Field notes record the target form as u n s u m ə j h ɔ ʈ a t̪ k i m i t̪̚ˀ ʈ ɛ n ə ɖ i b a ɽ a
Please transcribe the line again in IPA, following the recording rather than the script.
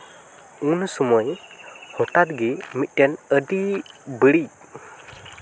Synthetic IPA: u n s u m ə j h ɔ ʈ a t̪ ɡ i m i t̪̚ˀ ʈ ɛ n ə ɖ i b ə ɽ i